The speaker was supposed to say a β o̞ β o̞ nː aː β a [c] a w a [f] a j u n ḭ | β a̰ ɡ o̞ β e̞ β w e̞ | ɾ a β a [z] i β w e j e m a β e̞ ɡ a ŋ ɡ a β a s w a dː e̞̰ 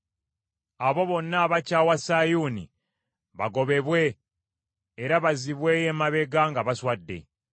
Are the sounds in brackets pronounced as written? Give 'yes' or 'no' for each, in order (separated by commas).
yes, no, yes